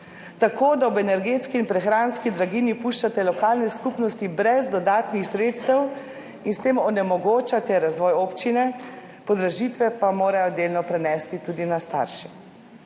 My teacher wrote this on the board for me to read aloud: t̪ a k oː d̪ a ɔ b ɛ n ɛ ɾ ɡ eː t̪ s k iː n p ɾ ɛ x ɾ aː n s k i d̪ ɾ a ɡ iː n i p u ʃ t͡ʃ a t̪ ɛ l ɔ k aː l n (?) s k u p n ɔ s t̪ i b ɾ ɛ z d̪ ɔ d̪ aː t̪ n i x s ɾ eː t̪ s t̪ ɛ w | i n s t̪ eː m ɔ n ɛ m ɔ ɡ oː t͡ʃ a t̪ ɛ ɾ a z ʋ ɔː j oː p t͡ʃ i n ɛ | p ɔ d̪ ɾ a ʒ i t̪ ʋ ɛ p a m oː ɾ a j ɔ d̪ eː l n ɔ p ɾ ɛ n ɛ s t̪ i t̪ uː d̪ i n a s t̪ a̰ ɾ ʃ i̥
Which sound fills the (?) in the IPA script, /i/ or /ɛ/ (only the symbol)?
ɛ